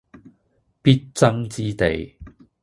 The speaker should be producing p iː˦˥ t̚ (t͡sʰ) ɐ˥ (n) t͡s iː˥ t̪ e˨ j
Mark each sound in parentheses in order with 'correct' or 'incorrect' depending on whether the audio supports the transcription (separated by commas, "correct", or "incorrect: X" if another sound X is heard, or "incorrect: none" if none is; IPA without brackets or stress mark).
incorrect: t͡s, incorrect: ŋ